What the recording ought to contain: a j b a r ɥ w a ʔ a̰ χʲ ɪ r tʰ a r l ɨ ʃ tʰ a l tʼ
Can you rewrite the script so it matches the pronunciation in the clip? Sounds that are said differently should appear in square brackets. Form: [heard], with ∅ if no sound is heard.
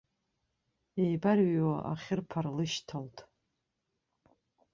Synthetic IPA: [e] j b a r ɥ w a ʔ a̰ χʲ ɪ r [pʰ] a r l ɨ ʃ tʰ a l tʼ